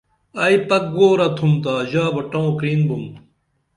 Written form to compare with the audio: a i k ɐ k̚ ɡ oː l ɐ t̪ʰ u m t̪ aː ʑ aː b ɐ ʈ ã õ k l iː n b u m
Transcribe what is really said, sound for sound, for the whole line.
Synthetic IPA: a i p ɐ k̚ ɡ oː ɾ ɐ t̪ʰ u m t̪ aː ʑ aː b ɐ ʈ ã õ k ɾ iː n b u m

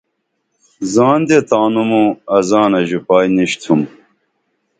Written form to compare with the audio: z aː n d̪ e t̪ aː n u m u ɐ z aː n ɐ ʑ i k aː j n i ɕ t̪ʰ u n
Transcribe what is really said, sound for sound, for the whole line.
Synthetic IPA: z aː n d̪ e t̪ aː n u m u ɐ z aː n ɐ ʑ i p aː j n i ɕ t̪ʰ u m

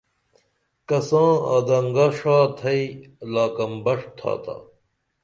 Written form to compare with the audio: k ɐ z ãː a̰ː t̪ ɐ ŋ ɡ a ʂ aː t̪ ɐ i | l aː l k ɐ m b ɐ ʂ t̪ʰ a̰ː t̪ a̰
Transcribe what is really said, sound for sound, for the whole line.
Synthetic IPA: k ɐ s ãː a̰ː d̪ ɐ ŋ ɡ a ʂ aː t̪ʰ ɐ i | l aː k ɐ m b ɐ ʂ t̪ʰ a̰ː t̪ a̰

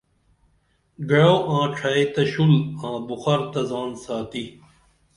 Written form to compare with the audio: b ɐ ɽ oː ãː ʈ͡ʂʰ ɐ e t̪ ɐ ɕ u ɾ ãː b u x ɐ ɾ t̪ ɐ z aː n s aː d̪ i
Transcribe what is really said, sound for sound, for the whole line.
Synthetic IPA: ɡ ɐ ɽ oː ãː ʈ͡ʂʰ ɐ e t̪ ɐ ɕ u l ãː b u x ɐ ɾ t̪ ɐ z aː n s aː t̪ i

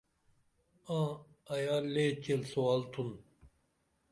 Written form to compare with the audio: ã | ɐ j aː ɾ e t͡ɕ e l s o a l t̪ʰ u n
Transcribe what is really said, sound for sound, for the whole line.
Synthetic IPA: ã | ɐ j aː l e t͡ɕ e l s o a l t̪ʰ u n

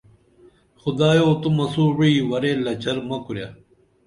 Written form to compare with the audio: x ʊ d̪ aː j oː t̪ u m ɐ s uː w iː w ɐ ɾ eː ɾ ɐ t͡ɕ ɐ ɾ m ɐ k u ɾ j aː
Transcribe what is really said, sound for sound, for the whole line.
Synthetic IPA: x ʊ d̪ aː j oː t̪ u m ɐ s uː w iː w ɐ ɾ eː l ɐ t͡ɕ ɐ ɾ m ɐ k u ɾ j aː

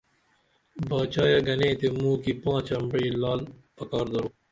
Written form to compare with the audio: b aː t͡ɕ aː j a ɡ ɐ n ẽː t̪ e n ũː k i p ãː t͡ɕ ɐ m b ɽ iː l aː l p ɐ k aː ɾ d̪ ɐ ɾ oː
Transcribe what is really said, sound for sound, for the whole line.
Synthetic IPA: b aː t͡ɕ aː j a ɡ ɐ n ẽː t̪ e m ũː k i p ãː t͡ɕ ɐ m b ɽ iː l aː l p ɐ k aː ɾ d̪ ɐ ɾ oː

